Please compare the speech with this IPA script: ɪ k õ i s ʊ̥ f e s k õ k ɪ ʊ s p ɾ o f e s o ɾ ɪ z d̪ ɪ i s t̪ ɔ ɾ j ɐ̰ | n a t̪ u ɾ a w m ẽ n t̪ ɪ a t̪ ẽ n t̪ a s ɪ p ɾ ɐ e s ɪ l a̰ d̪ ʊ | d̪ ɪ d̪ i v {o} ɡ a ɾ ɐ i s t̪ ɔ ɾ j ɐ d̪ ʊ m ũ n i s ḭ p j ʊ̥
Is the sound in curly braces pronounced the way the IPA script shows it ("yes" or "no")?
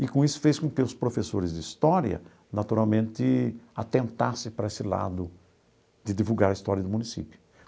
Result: no